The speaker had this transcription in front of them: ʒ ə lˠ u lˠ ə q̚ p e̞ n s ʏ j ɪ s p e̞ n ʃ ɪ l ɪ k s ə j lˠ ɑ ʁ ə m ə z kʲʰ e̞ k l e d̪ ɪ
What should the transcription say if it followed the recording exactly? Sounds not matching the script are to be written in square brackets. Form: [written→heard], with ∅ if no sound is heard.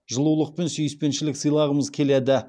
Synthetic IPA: ʒ ə lˠ u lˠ ə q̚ p e̞ n s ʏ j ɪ s p e̞ n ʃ ɪ l ɪ k s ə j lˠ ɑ ʁ ə m ə z kʲʰ e̞ [k→∅] l e d̪ ɪ